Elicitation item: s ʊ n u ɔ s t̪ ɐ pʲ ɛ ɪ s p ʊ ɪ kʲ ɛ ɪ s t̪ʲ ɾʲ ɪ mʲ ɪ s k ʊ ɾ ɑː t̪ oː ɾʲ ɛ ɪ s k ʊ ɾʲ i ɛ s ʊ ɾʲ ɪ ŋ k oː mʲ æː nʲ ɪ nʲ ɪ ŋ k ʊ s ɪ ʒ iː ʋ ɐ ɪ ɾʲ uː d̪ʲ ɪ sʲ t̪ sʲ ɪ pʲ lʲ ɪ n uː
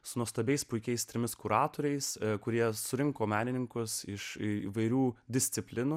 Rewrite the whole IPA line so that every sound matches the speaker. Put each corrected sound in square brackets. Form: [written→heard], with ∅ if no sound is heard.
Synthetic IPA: s ʊ n u ɔ s t̪ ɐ [pʲ→bʲ] ɛ ɪ s p ʊ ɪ kʲ ɛ ɪ s t̪ʲ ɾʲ ɪ mʲ ɪ s k ʊ ɾ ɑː t̪ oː ɾʲ ɛ ɪ s k ʊ ɾʲ i ɛ s ʊ ɾʲ ɪ ŋ k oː mʲ æː nʲ ɪ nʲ ɪ ŋ k ʊ s ɪ [ʒ→ʃ] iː ʋ ɐ ɪ ɾʲ uː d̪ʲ ɪ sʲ t̪ sʲ ɪ pʲ lʲ ɪ n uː